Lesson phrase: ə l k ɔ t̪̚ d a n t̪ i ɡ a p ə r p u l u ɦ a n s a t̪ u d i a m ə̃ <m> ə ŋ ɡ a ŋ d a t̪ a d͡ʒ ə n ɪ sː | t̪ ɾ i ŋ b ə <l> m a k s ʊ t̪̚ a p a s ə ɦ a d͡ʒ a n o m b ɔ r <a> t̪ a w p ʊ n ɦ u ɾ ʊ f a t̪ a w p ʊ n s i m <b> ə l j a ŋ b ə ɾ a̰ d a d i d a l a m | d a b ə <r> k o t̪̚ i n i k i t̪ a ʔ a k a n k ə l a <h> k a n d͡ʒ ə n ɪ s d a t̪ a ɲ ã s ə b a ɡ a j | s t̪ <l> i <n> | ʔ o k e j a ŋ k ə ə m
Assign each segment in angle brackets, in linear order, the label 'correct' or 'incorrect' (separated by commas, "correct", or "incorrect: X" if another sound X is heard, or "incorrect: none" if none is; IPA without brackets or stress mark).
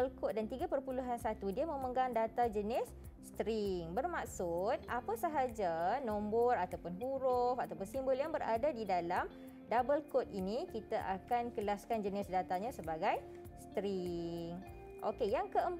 correct, incorrect: r, correct, correct, incorrect: l, incorrect: s, incorrect: ɾ, incorrect: ŋ